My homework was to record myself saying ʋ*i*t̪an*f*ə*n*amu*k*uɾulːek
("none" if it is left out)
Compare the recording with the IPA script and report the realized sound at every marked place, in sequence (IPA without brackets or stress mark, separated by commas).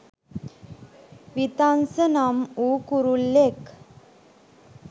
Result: i, s, n, k